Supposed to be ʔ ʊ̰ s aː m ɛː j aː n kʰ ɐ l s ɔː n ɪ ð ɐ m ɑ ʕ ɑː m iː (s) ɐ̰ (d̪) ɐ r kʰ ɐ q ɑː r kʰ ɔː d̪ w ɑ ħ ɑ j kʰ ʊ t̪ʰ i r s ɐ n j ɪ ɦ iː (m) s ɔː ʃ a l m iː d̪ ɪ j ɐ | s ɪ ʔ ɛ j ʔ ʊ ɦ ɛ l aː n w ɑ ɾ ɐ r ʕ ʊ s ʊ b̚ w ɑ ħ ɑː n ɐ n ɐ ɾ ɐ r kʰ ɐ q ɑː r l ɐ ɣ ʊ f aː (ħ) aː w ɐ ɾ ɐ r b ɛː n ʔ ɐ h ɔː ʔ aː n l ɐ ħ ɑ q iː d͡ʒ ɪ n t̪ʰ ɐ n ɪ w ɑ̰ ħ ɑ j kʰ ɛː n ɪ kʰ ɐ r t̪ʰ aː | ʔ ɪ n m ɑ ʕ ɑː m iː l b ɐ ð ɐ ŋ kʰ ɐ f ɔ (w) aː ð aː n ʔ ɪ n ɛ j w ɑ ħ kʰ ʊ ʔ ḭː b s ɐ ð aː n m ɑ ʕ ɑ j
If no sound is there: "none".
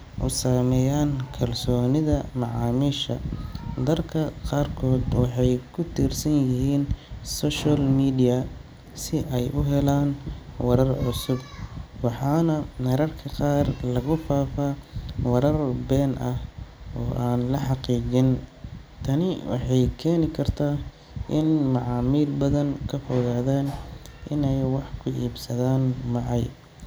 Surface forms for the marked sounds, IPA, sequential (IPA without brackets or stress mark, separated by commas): ʃ, d̪, n, f, ɣ